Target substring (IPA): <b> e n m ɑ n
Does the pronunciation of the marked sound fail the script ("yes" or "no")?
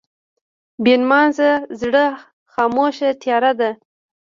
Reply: no